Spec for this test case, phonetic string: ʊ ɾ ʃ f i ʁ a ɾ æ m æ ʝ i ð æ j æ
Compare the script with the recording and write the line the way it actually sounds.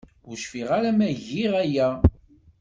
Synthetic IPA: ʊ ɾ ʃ f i ʁ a ɾ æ m æ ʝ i ʁ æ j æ